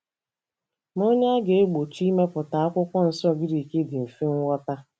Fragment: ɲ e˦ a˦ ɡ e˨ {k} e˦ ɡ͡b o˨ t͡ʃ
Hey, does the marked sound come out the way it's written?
no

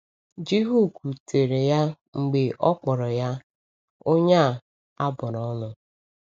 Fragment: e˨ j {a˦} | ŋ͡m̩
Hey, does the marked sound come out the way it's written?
yes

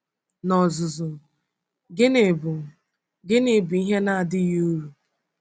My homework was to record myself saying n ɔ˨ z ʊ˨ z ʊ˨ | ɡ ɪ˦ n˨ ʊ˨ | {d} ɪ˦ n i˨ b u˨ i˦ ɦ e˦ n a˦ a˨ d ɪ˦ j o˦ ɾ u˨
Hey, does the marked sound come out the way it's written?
no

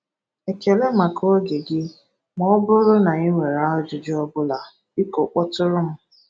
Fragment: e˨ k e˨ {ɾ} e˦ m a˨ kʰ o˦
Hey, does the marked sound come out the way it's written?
no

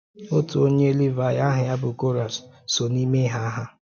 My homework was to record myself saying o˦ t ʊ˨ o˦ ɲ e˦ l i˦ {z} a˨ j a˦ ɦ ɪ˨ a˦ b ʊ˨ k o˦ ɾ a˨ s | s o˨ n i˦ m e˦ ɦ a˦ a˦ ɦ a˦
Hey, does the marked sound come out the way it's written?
no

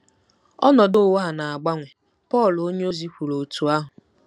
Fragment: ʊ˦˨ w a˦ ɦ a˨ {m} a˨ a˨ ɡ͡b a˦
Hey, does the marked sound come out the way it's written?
no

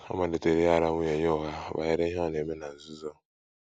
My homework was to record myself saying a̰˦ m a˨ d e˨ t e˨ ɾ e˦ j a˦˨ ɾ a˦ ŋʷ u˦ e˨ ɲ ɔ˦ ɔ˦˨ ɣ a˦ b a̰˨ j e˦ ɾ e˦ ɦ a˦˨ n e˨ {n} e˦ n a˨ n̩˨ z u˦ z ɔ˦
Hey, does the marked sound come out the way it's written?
no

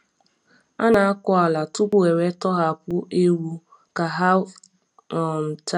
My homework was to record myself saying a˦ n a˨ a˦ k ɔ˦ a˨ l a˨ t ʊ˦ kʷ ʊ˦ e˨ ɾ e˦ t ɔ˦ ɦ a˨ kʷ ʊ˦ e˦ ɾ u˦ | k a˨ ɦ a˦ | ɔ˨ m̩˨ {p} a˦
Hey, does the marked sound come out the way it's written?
no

